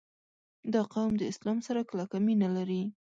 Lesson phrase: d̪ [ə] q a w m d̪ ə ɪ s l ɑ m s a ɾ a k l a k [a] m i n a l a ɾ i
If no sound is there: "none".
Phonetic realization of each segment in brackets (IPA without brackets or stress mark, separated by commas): ɑ, a